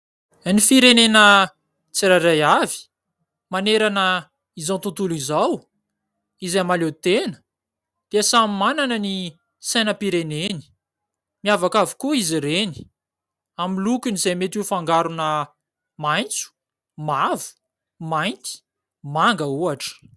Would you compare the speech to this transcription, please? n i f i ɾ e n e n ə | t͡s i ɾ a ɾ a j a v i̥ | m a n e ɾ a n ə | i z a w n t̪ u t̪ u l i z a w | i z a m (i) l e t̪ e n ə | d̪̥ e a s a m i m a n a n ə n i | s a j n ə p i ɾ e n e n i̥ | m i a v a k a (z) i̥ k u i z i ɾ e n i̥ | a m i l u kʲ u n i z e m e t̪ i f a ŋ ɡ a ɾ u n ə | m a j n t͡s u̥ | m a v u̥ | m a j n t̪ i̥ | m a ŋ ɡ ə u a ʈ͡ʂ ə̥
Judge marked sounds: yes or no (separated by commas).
no, no